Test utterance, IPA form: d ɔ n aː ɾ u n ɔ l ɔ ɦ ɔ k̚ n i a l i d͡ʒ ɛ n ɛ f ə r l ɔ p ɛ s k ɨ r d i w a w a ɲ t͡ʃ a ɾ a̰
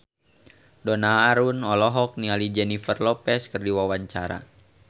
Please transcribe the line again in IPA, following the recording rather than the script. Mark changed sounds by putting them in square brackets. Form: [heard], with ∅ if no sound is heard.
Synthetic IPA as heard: d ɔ n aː ɾ u n ɔ l ɔ ɦ ɔ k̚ n i a l i d͡ʒ ɛ n [i] f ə r l ɔ p ɛ s k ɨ r d i w a w a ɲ t͡ʃ a ɾ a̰